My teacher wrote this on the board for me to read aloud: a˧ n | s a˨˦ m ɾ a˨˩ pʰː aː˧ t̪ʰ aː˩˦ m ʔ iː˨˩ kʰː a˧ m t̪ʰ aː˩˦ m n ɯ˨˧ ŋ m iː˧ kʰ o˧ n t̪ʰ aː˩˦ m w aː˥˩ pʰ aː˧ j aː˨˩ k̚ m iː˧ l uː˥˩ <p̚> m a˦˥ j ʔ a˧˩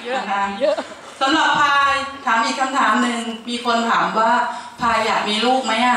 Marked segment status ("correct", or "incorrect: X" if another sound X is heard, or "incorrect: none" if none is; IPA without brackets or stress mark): incorrect: k̚